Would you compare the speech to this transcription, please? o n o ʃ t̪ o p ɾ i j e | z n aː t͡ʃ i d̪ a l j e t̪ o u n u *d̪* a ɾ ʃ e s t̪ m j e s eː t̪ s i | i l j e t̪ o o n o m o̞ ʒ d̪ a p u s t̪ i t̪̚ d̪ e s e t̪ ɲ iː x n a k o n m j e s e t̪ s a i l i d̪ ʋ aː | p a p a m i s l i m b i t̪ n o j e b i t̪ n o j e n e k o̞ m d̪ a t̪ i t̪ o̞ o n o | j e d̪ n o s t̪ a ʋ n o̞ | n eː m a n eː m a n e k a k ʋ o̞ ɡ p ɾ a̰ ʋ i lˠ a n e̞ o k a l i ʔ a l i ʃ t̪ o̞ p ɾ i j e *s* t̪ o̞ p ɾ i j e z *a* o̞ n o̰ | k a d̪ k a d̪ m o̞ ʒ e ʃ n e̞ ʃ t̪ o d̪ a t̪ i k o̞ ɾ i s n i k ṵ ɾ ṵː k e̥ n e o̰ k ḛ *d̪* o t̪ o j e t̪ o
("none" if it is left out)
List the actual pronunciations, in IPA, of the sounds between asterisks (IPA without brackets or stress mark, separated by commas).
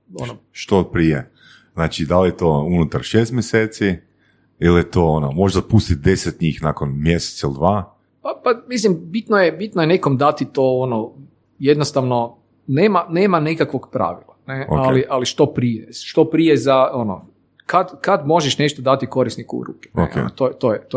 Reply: t̪, ʃ, a, t̪